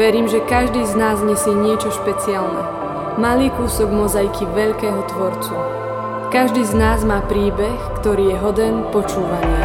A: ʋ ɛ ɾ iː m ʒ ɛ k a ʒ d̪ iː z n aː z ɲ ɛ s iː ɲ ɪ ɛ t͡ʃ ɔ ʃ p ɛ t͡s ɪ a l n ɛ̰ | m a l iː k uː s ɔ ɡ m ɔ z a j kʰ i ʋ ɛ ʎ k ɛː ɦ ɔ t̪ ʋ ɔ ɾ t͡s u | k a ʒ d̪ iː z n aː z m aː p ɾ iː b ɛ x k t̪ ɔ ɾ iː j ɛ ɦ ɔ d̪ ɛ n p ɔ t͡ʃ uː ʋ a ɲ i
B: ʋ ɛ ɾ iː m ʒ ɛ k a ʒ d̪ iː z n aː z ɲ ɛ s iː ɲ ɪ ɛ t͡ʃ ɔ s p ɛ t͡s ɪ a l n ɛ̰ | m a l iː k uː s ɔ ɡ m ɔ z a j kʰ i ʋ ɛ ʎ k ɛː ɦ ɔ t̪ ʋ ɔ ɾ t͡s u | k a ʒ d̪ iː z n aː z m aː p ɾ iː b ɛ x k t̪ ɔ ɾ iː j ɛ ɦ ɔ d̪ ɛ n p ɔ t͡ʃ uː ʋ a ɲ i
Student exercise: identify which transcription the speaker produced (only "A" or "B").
A